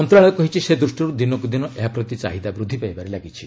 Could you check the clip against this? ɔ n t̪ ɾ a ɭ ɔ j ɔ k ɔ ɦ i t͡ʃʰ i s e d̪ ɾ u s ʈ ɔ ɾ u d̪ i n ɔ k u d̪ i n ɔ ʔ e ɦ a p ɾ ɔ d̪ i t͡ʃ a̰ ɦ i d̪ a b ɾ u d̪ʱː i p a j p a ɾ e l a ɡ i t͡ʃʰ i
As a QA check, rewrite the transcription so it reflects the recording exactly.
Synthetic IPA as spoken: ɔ n t̪ ɾ a ɭ ɔ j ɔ k ɔ ɦ i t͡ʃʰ i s e d̪ ɾ u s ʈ ɔ ɾ u d̪ i n ɔ k u d̪ i n ɔ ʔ e ɦ a p ɾ ɔ t̪ i t͡ʃ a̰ ɦ i d̪ a b ɾ u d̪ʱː i p a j b a ɾ e l a ɡ i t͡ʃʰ i